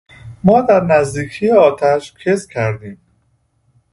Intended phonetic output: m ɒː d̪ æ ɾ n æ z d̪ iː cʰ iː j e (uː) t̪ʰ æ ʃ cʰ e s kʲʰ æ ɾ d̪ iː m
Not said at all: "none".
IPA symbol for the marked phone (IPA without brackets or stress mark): ɒː